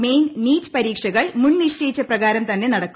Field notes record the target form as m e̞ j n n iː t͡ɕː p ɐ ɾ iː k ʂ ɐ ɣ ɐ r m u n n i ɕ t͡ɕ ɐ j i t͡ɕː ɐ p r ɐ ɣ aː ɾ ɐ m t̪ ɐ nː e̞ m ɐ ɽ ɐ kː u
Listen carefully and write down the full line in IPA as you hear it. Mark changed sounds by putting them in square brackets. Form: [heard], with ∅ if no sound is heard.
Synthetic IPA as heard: m e̞ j n n iː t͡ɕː p ɐ ɾ iː k ʂ ɐ ɣ ɐ [ɭ] m u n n i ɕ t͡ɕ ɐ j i t͡ɕː ɐ p r ɐ ɣ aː ɾ ɐ m t̪ ɐ nː e̞ [n] ɐ ɽ ɐ kː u